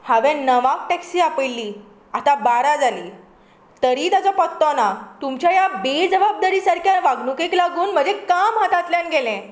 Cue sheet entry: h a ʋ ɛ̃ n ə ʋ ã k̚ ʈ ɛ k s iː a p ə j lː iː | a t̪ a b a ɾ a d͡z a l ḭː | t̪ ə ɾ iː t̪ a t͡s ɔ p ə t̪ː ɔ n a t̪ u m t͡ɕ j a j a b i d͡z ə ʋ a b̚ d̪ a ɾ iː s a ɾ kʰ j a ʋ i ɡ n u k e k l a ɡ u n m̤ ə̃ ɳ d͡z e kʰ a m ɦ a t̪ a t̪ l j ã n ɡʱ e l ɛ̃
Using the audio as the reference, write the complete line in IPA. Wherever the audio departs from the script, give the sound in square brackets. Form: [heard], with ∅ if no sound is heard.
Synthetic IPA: h a ʋ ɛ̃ n ə ʋ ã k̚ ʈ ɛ k s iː a p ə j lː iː | a t̪ a b a ɾ a d͡z a l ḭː | t̪ ə ɾ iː t̪ a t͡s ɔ p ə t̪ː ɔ n a t̪ u m t͡ɕ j a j a b [e] d͡z ə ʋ a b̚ d̪ a ɾ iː s a ɾ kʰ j a ʋ [a] ɡ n u k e k l a ɡ [uː] n m̤ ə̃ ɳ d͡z e [k] a m ɦ a t̪ a t̪ l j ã n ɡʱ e l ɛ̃